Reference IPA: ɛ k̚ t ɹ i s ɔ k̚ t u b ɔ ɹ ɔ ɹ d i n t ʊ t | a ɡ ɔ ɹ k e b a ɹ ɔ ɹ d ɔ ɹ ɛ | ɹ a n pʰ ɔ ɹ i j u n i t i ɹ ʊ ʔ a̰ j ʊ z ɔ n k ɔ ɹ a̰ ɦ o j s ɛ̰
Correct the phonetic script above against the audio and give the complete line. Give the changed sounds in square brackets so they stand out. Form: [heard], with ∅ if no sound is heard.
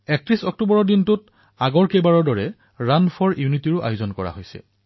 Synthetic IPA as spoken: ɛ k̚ t ɹ i s ɔ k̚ t u b ɔ ɹ ɔ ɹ d i n t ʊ t | a ɡ ɔ ɹ k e b a ɹ ɔ ɹ d ɔ ɹ ɛ | ɹ a n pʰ ɔ ɹ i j u n i t i ɹ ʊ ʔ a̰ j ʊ z ɔ n k ɔ ɹ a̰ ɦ o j s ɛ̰